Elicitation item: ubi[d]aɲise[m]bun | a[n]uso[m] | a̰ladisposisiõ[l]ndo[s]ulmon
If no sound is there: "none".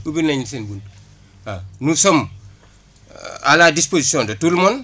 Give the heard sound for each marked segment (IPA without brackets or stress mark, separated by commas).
n, n, n, m, none, t